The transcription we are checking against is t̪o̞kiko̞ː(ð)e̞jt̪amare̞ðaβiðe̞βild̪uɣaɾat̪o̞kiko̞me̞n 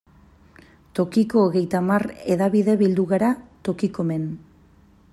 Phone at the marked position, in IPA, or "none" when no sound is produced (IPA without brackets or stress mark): ɣ